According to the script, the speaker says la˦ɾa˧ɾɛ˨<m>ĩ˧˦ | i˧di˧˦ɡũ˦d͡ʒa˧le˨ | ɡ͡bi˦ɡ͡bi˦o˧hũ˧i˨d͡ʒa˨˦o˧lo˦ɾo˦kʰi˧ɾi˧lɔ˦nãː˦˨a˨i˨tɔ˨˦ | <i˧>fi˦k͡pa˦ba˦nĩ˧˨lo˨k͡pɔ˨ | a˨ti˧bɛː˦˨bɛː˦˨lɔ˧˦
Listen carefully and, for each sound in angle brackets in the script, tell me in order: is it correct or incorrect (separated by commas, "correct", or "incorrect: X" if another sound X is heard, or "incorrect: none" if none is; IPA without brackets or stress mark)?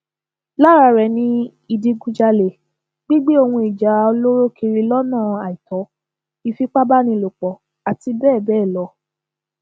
incorrect: n, correct